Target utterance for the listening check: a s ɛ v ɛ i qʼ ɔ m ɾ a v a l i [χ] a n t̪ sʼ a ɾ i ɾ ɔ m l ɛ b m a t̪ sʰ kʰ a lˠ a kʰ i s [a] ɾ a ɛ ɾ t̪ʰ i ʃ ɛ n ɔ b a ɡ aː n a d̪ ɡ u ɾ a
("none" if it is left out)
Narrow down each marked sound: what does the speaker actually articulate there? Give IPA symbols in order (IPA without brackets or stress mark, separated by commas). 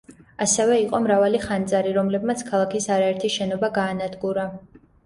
χ, a